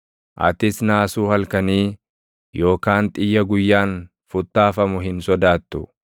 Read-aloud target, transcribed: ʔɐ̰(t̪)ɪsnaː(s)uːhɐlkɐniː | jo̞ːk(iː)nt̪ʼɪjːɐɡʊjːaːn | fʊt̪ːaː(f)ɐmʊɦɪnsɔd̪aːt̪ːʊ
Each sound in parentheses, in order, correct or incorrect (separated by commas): correct, correct, incorrect, correct